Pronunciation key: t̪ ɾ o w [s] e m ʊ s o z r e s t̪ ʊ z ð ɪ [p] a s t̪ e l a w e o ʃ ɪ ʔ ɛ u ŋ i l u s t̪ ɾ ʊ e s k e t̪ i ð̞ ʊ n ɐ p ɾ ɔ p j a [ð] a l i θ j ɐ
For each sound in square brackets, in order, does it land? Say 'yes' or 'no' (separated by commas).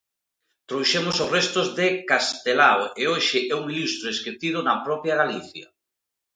no, no, no